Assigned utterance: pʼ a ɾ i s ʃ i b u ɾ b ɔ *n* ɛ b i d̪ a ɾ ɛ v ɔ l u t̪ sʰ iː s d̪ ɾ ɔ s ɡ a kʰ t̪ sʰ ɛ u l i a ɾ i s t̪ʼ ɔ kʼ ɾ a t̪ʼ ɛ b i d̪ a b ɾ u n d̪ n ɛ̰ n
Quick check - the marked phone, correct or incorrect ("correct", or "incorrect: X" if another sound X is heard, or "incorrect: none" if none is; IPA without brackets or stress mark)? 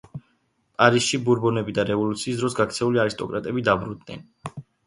correct